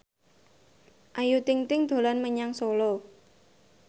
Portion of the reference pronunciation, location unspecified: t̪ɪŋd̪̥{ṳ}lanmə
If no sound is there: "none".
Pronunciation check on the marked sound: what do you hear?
o̤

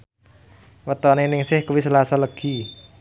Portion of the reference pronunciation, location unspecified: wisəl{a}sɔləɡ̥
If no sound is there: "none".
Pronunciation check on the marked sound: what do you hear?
a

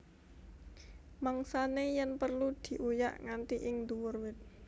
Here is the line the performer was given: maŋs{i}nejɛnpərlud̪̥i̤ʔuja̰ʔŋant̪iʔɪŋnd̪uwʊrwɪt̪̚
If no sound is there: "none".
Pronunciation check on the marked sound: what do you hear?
a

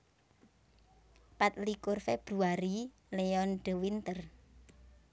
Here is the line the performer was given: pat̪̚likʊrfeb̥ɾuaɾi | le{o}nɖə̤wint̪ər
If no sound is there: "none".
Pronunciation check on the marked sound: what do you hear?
ɔ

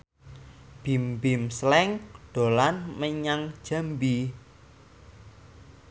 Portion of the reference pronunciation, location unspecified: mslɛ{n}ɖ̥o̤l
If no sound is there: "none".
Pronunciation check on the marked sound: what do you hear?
ŋ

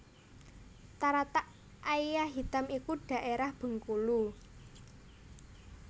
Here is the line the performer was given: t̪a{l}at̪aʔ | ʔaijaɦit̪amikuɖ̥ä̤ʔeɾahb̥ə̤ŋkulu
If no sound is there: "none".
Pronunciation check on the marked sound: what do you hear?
ɾ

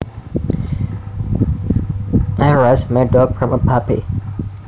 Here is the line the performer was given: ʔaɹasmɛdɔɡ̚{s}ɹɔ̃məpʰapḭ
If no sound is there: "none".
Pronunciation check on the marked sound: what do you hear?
f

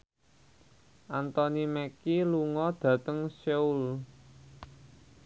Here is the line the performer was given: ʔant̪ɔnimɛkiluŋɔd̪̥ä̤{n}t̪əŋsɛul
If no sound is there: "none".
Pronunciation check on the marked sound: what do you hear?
none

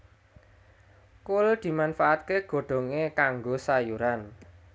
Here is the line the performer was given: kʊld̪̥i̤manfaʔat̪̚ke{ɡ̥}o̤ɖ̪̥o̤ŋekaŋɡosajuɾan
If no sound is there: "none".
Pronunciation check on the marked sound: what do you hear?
ɡ̥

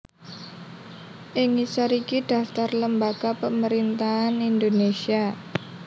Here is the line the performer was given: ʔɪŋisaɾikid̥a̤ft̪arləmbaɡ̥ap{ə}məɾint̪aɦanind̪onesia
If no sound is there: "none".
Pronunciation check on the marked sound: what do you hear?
ə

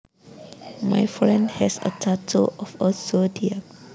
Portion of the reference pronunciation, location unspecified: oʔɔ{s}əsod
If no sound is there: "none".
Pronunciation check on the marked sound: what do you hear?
f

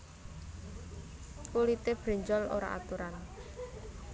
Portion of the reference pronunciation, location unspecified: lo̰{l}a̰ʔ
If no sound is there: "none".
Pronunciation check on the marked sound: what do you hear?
ɾ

